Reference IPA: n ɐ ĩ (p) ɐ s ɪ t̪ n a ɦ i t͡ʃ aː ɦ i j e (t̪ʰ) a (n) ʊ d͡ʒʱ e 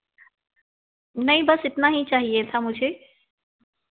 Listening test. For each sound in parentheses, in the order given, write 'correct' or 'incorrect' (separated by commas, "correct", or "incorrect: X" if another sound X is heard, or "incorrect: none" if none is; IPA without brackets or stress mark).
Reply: incorrect: b, correct, incorrect: m